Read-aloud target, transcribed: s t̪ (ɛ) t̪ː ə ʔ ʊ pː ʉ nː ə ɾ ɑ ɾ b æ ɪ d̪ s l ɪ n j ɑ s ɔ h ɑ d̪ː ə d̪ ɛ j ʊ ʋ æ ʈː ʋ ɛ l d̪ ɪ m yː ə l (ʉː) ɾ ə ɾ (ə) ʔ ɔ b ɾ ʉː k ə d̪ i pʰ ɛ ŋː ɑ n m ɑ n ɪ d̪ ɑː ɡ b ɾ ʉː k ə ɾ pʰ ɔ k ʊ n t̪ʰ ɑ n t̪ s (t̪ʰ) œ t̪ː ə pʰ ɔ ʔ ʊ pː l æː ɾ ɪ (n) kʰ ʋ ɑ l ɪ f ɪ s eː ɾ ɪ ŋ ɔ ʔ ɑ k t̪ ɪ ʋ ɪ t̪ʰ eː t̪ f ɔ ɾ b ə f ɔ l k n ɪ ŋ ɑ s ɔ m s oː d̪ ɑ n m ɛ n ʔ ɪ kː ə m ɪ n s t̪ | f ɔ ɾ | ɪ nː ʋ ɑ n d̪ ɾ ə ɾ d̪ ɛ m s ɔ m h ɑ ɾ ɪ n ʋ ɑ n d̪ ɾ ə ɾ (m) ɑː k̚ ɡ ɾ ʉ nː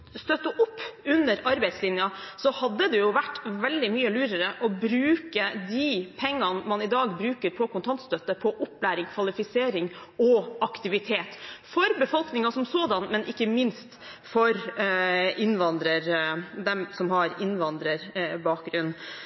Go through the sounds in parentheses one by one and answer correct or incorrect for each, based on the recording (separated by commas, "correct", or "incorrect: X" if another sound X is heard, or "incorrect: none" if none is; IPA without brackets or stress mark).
incorrect: œ, correct, correct, incorrect: t̪, incorrect: ŋ, incorrect: b